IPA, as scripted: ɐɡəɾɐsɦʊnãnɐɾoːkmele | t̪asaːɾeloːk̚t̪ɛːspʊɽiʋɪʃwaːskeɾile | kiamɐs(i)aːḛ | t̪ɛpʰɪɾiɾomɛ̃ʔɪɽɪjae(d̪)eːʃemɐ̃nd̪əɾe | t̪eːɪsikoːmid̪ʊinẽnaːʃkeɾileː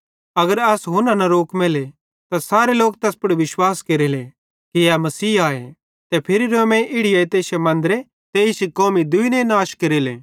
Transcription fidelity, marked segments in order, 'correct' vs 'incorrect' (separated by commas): incorrect, incorrect